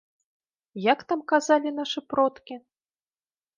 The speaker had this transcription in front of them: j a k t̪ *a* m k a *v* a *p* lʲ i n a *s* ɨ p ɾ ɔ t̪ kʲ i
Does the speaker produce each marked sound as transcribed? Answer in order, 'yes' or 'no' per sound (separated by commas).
yes, no, no, no